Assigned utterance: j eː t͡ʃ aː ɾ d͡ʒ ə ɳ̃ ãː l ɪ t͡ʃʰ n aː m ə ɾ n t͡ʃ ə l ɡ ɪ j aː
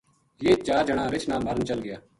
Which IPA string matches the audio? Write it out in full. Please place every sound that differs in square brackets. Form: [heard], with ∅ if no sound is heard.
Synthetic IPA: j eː t͡ʃ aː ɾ d͡ʒ ə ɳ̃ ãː [ɾ] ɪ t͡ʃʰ n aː m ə ɾ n t͡ʃ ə l ɡ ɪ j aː